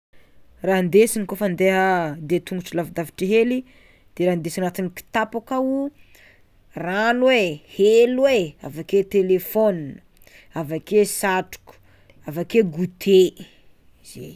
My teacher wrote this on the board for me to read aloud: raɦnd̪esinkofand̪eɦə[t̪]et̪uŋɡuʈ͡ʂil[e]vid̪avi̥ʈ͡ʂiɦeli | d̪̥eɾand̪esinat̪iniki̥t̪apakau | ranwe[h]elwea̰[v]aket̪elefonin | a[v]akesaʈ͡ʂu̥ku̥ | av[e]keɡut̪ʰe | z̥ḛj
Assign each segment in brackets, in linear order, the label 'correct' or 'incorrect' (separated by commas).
incorrect, incorrect, correct, correct, correct, incorrect